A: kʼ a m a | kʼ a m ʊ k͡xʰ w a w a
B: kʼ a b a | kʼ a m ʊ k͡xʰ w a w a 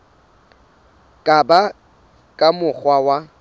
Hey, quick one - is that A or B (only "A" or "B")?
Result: B